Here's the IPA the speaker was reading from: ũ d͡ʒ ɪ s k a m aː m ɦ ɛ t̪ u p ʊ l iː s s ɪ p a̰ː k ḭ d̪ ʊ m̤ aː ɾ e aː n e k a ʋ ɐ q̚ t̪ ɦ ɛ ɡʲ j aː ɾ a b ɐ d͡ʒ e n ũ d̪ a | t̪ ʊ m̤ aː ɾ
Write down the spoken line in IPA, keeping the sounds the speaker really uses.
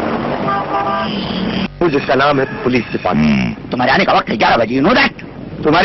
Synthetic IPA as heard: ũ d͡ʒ ɪ s k a n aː m ɦ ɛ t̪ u p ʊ l iː s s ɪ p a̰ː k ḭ t̪ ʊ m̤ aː ɾ e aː n e k a ʋ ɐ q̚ t̪ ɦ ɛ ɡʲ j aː ɾ a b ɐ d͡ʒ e n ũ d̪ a | t̪ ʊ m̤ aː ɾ